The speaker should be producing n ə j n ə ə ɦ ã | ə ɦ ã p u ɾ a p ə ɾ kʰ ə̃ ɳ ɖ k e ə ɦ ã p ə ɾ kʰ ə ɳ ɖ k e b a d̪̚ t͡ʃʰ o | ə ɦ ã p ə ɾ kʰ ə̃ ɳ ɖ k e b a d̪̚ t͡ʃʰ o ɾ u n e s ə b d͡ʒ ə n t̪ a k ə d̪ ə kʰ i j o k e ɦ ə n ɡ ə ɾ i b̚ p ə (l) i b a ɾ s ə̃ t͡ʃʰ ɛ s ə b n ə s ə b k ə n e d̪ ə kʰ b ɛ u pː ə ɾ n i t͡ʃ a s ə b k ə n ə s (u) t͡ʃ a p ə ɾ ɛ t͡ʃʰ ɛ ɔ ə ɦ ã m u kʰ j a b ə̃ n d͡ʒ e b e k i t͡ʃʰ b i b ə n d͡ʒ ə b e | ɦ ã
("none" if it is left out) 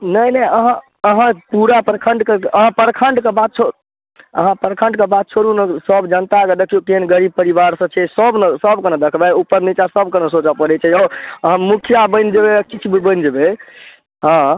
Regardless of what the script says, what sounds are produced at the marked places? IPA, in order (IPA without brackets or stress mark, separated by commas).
ɾ, o